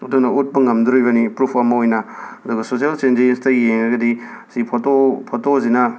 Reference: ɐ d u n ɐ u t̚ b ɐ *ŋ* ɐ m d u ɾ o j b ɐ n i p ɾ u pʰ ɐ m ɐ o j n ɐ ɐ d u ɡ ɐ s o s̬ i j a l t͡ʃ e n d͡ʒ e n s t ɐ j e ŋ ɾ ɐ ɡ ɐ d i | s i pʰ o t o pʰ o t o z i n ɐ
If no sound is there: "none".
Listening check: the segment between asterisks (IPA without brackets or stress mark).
ŋ